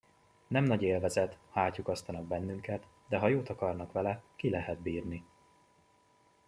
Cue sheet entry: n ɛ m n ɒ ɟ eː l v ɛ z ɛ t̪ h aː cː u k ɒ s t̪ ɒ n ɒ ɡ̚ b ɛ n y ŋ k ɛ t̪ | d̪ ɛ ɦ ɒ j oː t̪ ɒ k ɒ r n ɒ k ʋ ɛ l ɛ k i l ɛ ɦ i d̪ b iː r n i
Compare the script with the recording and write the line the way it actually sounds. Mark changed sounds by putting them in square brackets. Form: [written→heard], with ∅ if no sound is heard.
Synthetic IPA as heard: n ɛ m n ɒ ɟ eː l v ɛ z ɛ t̪ h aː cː u k ɒ s t̪ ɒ n ɒ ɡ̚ b ɛ [n→nː] y ŋ k ɛ t̪ | d̪ ɛ ɦ ɒ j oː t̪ ɒ k ɒ r n ɒ k ʋ ɛ l ɛ k i l ɛ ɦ [i→ɛ] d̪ b iː r n i